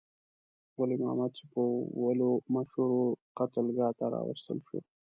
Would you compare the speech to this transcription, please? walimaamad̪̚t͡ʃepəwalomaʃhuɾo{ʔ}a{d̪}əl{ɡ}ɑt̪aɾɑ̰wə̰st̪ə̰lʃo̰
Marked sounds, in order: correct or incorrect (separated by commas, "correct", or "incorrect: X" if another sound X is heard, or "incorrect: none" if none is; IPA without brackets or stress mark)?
incorrect: q, incorrect: t̪, correct